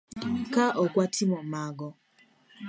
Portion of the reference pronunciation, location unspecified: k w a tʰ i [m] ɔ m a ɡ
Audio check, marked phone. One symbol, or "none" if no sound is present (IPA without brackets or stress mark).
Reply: m